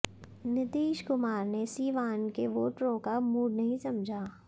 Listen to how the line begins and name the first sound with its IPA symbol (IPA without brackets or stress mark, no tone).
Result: n